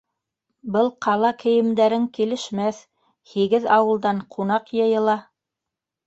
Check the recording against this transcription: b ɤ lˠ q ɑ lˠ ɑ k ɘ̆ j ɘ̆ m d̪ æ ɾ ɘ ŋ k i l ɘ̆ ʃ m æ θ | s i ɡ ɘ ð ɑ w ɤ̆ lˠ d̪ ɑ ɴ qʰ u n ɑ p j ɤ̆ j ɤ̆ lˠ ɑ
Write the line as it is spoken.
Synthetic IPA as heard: b ɤ lˠ q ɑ lˠ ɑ k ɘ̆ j ɘ̆ m d̪ æ ɾ ɘ ŋ k i l ɘ̆ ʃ m æ θ | h i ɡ ɘ ð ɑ w ɤ̆ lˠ d̪ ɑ ɴ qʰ u n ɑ q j ɤ̆ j ɤ̆ lˠ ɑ